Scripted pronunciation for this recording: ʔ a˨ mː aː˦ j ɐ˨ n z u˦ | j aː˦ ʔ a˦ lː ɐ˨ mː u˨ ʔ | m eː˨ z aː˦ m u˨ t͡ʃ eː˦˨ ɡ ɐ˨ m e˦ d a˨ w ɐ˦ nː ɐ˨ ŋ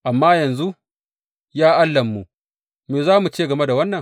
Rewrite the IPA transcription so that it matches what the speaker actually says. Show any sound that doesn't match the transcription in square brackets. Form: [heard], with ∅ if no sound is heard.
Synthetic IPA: ʔ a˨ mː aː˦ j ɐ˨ n z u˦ | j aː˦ ʔ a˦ lː ɐ˨ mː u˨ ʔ | m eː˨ z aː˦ m u˨ t͡ʃ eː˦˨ ɡ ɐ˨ m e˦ d a˨ w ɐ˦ nː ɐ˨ ŋ